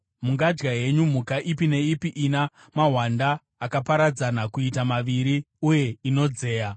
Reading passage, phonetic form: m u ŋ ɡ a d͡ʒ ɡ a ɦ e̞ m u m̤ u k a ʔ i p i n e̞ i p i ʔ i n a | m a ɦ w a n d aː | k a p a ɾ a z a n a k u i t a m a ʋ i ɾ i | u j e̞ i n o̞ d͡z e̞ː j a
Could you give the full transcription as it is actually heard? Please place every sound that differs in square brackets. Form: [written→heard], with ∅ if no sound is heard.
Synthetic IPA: m u ŋ ɡ a d͡ʒ ɡ a ɦ e̞ [m→ɲ] u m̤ u k a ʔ i p i n e̞ i p i ʔ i n a | m a ɦ w a n d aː | k a p a ɾ a [z→d͡z] a n a k u i t a m a ʋ i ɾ i | u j e̞ i n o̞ d͡z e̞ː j a

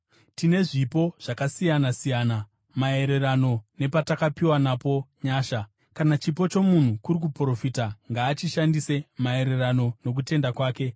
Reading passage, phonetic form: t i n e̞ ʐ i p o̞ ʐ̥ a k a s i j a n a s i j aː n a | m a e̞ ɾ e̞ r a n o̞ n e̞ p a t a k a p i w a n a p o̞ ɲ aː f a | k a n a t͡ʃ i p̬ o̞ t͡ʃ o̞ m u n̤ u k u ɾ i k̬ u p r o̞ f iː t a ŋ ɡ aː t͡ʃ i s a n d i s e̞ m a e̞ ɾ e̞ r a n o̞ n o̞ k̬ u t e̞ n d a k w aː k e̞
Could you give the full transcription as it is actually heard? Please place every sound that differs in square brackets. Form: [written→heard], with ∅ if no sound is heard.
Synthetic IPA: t i n e̞ ʐ i p o̞ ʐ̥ a k a s i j a n a s i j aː n a | m a e̞ ɾ e̞ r a n o̞ n e̞ p a t a k a p i w a n a p o̞ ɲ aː [f→ʃ] a | k a n a t͡ʃ i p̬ o̞ t͡ʃ o̞ m u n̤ u k u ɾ i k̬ u p r o̞ f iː t a ŋ ɡ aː t͡ʃ i [s→ʃ] a n d i s e̞ m a e̞ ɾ e̞ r a n o̞ n o̞ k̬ u t e̞ n d a k w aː k e̞

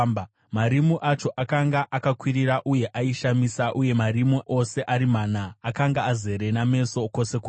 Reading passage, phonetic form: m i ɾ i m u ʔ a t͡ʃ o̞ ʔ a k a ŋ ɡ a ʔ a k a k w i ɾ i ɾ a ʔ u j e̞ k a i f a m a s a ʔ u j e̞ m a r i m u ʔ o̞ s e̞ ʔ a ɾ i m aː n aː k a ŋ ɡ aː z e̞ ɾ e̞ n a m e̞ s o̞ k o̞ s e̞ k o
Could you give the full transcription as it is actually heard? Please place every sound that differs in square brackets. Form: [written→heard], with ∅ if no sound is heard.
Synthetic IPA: m [i→a] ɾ i m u ʔ a t͡ʃ o̞ ʔ a k a ŋ ɡ a ʔ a k a k w i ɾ i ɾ a ʔ u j e̞ [k→ʔ] a i [f→ʃ] a m [a→i] s a ʔ u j e̞ m a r i m u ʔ o̞ s e̞ ʔ a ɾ i m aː n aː k a ŋ ɡ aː z e̞ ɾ e̞ n a m e̞ s o̞ k o̞ s e̞ k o

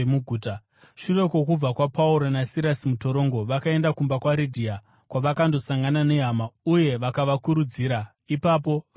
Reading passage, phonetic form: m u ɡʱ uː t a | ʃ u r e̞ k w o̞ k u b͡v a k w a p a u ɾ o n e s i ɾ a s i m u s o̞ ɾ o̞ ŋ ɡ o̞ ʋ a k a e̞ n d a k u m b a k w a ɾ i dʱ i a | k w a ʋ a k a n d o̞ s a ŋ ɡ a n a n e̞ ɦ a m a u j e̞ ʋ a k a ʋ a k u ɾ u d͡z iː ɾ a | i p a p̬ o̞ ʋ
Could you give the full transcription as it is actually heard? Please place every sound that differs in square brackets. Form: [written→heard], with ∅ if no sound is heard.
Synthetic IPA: m u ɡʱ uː t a | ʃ u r e̞ k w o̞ k u b͡v a k w a p a u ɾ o n [e→a] s i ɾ a s i m u [s→t] o̞ ɾ o̞ ŋ ɡ o̞ ʋ a k a e̞ n d a k u m b a k w a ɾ i dʱ i a | k w a ʋ a k a n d o̞ s a ŋ ɡ a n a n e̞ ɦ a m a u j e̞ ʋ a k a ʋ a k u ɾ u d͡z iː ɾ a | i p a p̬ o̞ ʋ

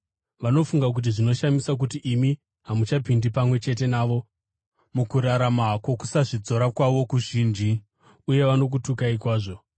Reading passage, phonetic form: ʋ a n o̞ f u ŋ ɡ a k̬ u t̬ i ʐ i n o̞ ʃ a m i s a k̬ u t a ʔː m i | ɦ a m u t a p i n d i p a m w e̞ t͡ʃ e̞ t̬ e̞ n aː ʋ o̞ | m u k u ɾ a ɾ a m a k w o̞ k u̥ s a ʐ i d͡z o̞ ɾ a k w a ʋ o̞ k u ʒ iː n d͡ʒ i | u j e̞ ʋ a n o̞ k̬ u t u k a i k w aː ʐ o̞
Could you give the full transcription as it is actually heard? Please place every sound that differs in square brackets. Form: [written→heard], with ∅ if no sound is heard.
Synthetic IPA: ʋ a n o̞ f u ŋ ɡ a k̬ u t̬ i ʐ i n o̞ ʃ a m i s a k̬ u t [a→i] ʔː m i | ɦ a m u [t→t͡ʃ] a p i n d i p a m w e̞ t͡ʃ e̞ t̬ e̞ n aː ʋ o̞ | m u k u ɾ a ɾ a m a k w o̞ k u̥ s a ʐ i d͡z o̞ ɾ a k w a ʋ o̞ k u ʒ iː n d͡ʒ i | u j e̞ ʋ a n o̞ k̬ u t u k a i k w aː ʐ o̞

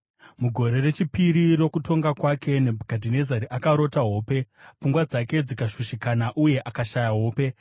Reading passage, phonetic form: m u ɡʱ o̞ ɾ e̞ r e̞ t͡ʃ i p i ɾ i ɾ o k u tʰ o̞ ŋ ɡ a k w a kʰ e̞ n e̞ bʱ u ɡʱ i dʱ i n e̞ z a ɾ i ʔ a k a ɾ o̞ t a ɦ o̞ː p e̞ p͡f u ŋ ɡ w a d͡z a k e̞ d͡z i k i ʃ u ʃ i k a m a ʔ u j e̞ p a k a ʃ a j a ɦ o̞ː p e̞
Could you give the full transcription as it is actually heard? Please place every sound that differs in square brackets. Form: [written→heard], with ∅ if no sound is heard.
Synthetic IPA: m u ɡʱ o̞ ɾ e̞ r e̞ t͡ʃ i p i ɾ i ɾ o k u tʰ o̞ ŋ ɡ a k w a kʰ e̞ n e̞ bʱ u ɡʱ [i→a] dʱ i n e̞ z a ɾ i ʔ a k a ɾ o̞ t a ɦ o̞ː p e̞ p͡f u ŋ ɡ w a d͡z a k e̞ d͡z i k [i→a] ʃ u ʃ i k a [m→n] a ʔ u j e̞ [p→ʔ] a k a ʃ a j a ɦ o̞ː p e̞

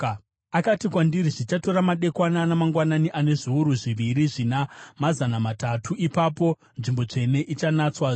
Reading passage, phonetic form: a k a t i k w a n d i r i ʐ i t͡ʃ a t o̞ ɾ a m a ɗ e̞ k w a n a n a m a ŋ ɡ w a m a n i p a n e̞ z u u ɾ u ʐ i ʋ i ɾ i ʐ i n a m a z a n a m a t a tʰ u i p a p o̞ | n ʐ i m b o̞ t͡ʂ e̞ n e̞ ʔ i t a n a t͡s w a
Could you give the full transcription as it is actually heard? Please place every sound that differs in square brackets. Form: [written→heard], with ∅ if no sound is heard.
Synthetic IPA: a k a t i k w a n d i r i ʐ i t͡ʃ a t o̞ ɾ a m a ɗ e̞ k w a n a n a m a ŋ ɡ w a [m→n] a n i [p→ʔ] a n e̞ [z→ʐ] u u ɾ u ʐ i ʋ i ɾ i ʐ i n a m a z a n a m a t a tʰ u i p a p o̞ | n ʐ i m b o̞ t͡ʂ e̞ n e̞ ʔ i [t→t͡ʃ] a n a t͡s w a

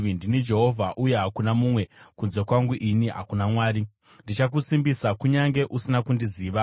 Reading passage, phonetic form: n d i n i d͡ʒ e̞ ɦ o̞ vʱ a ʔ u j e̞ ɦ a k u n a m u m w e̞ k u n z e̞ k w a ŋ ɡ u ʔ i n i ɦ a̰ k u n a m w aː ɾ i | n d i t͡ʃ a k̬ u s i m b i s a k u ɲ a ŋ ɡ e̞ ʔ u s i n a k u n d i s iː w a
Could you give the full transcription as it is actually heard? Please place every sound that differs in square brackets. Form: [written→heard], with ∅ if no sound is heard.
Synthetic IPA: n d i n i d͡ʒ e̞ ɦ o̞ vʱ a ʔ u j e̞ ɦ a k u n a m u m w e̞ k u n z e̞ k w a ŋ ɡ u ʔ i n i ɦ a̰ k u n a m w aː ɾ i | n d i t͡ʃ a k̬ u s i m b i s a k u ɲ a ŋ ɡ e̞ ʔ u s i n a k u n d i [s→z] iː [w→ʋ] a

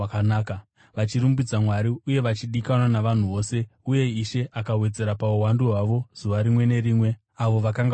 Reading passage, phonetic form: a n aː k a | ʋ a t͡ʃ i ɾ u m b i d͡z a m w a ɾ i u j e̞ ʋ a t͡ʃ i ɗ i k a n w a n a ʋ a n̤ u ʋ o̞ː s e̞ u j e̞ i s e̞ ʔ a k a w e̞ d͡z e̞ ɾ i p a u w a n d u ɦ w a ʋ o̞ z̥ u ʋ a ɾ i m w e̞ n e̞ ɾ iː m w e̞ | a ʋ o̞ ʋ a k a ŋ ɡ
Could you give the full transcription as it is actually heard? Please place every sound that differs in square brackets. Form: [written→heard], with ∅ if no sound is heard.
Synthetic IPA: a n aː k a | ʋ a t͡ʃ i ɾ u m b i d͡z a m w a ɾ i u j e̞ ʋ a t͡ʃ i ɗ i k a n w a n a ʋ a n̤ u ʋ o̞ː s e̞ u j e̞ i [s→ʃ] e̞ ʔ a k a w e̞ d͡z e̞ ɾ [i→a] p a u w a n d u ɦ w a ʋ o̞ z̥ u ʋ a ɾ i m w e̞ n e̞ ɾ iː m w e̞ | a ʋ o̞ ʋ a k a ŋ ɡ

